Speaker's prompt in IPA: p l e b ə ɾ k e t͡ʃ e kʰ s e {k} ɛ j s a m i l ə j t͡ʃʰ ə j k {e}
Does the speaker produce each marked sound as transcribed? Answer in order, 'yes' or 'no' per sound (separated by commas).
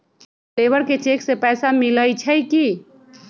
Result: no, no